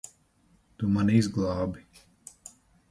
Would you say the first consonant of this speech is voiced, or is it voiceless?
voiceless